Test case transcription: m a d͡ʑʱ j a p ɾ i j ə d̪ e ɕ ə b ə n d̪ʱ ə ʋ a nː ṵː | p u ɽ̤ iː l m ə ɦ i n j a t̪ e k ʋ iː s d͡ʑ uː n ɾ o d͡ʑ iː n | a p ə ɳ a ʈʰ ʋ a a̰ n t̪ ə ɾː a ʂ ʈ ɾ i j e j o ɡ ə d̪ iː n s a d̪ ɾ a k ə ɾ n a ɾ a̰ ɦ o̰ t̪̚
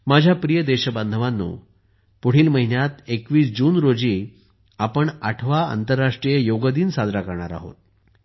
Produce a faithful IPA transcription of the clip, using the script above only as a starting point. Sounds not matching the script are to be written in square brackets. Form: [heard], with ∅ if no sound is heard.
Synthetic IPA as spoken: m a d͡ʑʱ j a p ɾ i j ə d̪ e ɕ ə b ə n d̪ʱ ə ʋ a nː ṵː | p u ɽ̤ iː l m ə ɦ i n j a t̪ e k ʋ iː s d͡ʑ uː n ɾ o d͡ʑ iː [∅] | a p ə ɳ a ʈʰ ʋ a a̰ n t̪ ə ɾː a ʂ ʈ ɾ i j e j o ɡ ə d̪ iː n s a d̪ ɾ a k ə ɾ [ɳ] a ɾ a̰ ɦ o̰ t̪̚